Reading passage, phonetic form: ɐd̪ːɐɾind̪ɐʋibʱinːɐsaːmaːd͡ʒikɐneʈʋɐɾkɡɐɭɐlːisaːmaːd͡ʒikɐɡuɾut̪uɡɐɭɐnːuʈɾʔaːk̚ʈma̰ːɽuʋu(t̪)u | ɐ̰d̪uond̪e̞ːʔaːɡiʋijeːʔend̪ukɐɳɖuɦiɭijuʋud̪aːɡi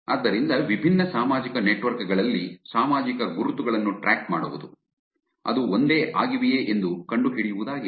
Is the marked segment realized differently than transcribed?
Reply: yes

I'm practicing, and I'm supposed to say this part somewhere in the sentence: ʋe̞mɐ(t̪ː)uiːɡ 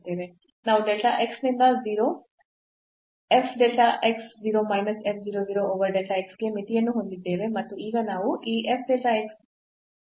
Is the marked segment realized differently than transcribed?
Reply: no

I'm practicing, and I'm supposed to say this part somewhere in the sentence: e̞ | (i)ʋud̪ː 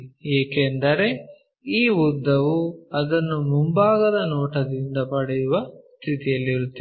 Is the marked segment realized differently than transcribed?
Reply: yes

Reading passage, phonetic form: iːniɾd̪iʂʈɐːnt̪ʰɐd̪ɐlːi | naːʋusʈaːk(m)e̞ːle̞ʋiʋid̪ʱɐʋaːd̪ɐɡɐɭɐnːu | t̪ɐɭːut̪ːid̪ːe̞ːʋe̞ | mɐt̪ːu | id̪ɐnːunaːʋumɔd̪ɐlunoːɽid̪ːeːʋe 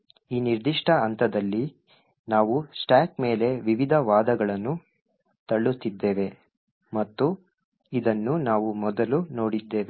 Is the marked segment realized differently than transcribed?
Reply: no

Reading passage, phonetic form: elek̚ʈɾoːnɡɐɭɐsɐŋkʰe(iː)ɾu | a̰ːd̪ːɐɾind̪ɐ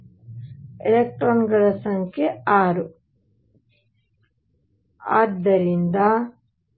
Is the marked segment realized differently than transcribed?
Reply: yes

